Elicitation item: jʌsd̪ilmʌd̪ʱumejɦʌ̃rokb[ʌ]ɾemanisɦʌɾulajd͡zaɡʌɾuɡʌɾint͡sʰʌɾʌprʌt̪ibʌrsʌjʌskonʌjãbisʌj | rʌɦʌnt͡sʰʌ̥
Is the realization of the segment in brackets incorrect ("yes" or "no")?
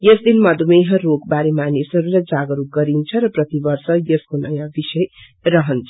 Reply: yes